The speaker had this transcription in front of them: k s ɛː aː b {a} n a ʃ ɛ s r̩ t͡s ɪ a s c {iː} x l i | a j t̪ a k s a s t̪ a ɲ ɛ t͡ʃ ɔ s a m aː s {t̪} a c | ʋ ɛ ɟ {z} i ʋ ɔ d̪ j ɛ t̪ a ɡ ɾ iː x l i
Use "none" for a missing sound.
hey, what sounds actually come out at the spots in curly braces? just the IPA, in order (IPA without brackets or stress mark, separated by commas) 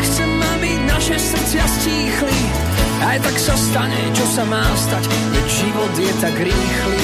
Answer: i, iː, t̪, ʒ